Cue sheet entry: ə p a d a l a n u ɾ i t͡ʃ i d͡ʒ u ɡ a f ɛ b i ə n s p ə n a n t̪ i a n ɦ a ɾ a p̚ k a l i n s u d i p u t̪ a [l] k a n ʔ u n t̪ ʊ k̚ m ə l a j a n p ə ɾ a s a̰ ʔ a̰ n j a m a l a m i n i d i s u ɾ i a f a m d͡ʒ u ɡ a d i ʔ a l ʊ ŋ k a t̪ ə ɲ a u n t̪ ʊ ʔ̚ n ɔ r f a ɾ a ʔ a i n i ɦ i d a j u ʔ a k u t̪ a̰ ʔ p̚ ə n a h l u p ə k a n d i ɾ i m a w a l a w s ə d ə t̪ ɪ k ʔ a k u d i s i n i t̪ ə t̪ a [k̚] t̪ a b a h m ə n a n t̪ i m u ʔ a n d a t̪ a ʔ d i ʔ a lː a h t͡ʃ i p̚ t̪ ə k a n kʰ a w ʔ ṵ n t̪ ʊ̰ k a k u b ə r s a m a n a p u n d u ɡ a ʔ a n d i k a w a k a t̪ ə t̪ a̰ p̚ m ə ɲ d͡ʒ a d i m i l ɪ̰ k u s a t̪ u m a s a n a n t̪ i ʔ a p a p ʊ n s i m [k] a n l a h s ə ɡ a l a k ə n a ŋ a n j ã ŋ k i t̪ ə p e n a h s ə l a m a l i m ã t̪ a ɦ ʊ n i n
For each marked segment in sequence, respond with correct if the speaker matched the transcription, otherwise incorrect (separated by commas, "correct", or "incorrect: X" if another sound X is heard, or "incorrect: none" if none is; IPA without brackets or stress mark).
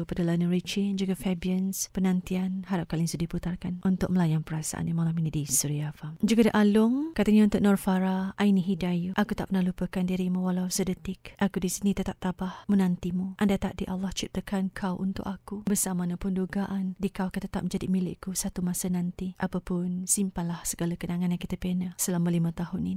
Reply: incorrect: r, incorrect: p̚, incorrect: p